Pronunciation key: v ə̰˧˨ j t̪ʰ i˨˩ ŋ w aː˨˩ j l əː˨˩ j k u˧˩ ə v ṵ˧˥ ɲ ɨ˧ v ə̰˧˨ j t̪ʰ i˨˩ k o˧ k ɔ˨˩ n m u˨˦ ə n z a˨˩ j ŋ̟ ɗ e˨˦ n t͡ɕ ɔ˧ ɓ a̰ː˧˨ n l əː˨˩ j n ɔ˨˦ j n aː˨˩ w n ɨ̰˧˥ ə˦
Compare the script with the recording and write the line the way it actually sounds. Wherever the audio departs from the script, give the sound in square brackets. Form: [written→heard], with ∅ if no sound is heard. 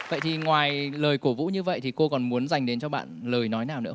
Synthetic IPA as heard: v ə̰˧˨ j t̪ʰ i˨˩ ŋ w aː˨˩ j l əː˨˩ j k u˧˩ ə v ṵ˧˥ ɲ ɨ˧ v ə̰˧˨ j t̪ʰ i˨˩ k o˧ k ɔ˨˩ n m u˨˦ ə n z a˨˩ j ŋ̟ ɗ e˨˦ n t͡ɕ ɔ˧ ɓ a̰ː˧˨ n l əː˨˩ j n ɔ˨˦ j n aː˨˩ w n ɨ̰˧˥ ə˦